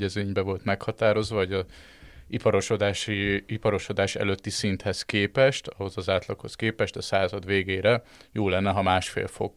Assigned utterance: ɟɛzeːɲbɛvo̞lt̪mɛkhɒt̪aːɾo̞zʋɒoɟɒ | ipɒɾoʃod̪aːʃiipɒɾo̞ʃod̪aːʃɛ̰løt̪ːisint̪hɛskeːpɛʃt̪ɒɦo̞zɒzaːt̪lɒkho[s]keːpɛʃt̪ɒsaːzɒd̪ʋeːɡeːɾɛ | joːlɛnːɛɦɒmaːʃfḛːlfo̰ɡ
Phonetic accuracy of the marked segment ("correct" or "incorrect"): correct